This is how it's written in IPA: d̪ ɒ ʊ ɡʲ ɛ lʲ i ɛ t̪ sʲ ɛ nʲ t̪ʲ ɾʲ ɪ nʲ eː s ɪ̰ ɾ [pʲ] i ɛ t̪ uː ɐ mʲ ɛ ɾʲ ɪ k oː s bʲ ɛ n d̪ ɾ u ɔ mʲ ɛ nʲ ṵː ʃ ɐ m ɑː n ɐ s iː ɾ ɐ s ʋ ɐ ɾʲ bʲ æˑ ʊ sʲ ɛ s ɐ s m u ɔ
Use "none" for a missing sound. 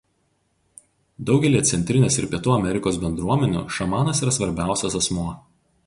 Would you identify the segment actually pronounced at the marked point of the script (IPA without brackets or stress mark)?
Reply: pʲ